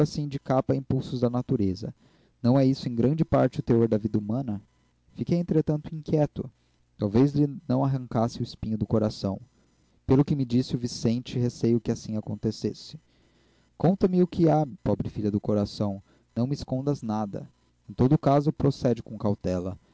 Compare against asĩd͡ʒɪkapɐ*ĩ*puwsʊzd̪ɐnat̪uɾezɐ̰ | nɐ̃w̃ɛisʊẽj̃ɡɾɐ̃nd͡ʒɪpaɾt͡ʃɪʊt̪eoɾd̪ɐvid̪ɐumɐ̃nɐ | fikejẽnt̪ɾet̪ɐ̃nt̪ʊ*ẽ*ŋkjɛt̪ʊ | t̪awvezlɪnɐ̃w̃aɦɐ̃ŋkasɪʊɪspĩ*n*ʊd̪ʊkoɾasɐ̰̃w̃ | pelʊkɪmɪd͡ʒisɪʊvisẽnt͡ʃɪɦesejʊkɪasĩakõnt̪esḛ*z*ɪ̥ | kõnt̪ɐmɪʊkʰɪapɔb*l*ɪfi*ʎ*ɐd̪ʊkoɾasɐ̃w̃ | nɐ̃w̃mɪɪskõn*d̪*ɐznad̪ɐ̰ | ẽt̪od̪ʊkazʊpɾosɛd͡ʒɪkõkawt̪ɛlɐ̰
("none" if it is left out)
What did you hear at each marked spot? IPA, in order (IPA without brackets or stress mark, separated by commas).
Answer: ĩ, ĩ, ɲ, s, ɾ, ʎ, d̪